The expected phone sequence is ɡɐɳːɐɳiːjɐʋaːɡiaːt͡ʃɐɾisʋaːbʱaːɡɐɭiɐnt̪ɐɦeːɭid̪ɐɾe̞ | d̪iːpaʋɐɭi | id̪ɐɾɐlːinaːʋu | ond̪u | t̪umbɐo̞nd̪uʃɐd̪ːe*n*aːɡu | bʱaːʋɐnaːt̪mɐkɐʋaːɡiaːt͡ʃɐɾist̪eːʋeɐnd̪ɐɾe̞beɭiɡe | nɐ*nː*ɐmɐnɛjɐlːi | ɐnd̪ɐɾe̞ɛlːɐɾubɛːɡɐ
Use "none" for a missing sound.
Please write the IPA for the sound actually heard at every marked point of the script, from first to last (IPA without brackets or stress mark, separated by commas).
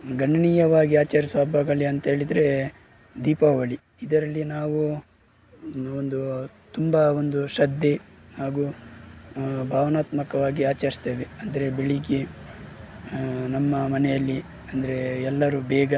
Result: n, mː